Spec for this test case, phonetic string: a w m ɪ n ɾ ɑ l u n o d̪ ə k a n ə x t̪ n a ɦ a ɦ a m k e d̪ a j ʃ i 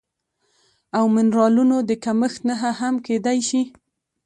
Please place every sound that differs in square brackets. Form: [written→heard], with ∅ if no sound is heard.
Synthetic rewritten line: a w m ɪ n ɾ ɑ l u n o d̪ ə k a [n→m] ə x t̪ n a ɦ a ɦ a m k e d̪ a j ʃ i